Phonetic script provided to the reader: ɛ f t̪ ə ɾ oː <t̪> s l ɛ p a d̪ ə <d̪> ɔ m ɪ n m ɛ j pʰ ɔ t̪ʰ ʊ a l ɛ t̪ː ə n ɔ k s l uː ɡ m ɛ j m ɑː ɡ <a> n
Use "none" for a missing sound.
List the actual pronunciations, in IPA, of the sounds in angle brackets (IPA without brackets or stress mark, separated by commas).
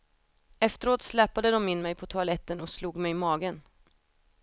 t̪, d̪, ə